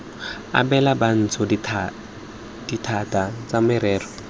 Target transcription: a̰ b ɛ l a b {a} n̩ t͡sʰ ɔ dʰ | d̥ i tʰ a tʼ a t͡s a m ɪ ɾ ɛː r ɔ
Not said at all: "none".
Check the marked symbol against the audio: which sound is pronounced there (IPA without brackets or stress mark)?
a